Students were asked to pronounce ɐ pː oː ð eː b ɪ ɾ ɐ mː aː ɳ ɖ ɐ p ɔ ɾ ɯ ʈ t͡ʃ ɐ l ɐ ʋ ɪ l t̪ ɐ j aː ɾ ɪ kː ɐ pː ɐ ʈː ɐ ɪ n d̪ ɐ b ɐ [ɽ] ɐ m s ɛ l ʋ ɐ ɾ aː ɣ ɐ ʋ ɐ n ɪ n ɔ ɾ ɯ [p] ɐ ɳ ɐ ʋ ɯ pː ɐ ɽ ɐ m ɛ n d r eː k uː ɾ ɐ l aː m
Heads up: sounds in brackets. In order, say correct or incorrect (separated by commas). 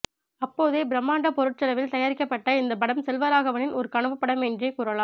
correct, incorrect